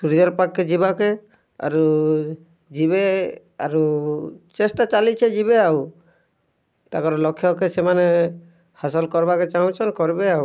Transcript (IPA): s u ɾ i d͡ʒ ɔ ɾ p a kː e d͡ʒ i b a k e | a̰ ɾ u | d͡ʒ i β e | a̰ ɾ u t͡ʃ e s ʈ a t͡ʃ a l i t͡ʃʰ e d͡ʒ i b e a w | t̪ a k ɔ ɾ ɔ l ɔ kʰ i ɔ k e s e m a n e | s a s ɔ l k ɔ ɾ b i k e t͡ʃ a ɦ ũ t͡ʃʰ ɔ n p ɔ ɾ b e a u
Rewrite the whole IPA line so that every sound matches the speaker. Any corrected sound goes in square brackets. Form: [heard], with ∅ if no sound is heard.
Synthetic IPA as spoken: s u ɾ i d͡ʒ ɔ ɾ p a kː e d͡ʒ i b a k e | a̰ ɾ u | d͡ʒ i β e | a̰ ɾ u t͡ʃ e s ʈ a t͡ʃ a l i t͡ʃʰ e d͡ʒ i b e a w | t̪ a k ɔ ɾ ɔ l ɔ kʰ [j] ɔ k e s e m a n e | [h] a s ɔ l k ɔ ɾ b [a] k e t͡ʃ a ɦ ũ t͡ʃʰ ɔ n [k] ɔ ɾ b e a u